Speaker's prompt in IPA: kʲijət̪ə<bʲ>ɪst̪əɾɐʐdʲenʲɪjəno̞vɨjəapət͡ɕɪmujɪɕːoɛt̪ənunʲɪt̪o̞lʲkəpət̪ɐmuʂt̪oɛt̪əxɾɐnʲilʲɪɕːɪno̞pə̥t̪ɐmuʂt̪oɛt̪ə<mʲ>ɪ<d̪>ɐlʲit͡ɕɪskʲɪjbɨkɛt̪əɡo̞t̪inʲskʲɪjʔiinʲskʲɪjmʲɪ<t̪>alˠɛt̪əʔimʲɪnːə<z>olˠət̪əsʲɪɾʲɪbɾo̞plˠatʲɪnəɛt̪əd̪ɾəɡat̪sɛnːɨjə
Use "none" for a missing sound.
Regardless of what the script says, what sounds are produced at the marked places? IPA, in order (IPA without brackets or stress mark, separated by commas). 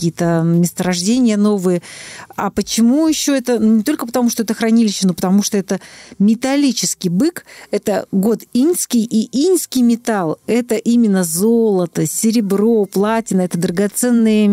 mʲ, mʲ, t̪, t̪, z